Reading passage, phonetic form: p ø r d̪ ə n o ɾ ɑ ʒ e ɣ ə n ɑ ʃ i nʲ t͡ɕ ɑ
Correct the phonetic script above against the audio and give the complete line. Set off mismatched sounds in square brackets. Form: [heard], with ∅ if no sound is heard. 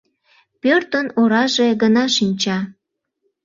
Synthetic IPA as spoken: p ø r [t̪] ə n o ɾ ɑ ʒ e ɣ ə n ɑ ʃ i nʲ t͡ɕ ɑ